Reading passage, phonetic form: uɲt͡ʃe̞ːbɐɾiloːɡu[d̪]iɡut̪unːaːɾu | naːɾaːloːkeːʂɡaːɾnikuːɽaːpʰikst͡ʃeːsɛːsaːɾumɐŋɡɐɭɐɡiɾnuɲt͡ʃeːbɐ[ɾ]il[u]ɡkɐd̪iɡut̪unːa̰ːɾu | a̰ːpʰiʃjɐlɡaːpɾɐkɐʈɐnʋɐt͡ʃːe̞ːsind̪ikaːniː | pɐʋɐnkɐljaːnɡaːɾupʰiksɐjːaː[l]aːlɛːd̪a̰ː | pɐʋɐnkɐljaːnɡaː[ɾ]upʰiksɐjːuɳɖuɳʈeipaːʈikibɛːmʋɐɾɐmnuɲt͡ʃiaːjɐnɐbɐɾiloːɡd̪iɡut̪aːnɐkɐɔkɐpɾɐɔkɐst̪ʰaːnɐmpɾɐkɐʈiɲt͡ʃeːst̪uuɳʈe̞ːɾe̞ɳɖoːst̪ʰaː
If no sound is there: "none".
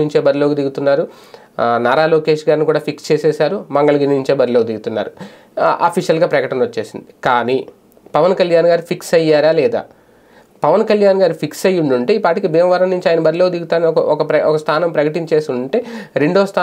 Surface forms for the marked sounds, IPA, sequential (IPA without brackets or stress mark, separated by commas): d̪, ɾ, o, ɾ, ɾ